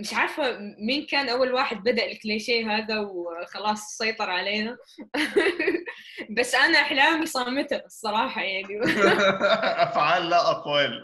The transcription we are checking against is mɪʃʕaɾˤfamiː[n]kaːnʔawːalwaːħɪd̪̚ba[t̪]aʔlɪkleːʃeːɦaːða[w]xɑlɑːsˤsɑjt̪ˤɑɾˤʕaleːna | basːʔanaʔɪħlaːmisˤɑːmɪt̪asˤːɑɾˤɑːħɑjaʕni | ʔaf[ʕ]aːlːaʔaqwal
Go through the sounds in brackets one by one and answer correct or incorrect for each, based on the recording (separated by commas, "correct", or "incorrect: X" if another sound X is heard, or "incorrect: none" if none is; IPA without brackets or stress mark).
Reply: correct, incorrect: d̪, correct, correct